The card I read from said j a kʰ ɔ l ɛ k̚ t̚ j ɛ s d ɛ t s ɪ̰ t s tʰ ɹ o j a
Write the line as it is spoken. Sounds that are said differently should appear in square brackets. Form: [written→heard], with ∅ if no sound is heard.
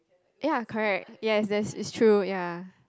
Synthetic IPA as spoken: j a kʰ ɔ [l→ɹ] ɛ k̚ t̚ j ɛ s d ɛ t s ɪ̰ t s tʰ ɹ [o→u] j a